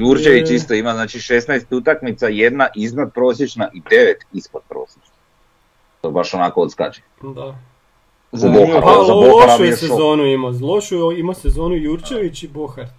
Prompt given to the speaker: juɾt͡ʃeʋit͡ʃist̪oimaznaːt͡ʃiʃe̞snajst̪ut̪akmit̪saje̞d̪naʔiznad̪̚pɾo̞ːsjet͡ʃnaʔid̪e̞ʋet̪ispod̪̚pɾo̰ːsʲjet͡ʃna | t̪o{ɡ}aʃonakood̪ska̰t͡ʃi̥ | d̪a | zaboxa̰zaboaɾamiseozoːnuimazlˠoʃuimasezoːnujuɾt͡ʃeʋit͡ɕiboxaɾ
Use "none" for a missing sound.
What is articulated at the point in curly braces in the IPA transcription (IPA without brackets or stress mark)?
b